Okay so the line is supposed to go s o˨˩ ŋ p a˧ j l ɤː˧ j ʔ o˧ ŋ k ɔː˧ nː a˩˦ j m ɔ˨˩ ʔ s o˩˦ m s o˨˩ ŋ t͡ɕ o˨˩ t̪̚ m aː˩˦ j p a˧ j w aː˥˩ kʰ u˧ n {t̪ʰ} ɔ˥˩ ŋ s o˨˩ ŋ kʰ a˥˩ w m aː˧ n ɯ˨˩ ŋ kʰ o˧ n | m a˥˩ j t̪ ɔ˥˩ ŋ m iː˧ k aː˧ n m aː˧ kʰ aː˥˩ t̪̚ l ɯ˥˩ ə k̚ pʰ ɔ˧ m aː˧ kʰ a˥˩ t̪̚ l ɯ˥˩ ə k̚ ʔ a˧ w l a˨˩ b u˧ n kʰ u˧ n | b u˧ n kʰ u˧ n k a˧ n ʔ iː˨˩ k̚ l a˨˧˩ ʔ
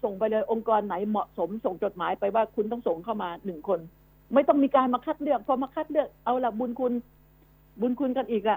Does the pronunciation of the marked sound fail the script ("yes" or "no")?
yes